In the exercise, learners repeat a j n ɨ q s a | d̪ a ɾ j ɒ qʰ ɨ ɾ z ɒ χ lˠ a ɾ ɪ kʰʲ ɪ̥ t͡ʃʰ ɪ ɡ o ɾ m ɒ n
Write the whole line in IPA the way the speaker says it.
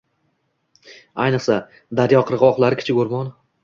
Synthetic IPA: a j n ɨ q s a | d̪ a ɾ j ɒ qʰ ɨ ɾ ʁ ɒ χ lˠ a ɾ ɪ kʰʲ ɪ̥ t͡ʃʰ ɪ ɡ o ɾ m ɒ n